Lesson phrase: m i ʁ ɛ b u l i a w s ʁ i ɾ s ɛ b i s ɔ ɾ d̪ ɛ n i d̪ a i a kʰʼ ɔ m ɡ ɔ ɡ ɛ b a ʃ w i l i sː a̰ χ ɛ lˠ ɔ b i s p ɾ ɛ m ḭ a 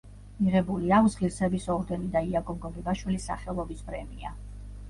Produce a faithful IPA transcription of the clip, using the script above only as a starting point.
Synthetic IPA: m i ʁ ɛ b u l i a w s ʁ i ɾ s ɛ b i s ɔ ɾ d̪ ɛ n i d̪ a i a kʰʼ ɔ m ɡ ɔ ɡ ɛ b a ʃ w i l i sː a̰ χ ɛ lˠ ɔ b i s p ɾ ɛ m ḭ a